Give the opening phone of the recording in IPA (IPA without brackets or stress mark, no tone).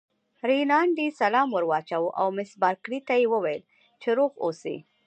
ɾ